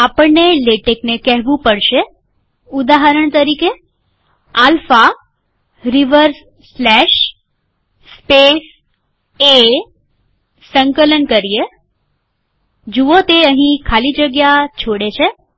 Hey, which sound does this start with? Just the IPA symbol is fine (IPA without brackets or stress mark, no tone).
a